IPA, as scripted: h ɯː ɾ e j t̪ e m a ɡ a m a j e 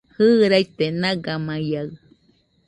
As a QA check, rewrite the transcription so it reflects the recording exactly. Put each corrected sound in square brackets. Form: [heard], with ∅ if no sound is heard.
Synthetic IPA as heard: h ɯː ɾ [a] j t̪ e [n] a ɡ a m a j [a]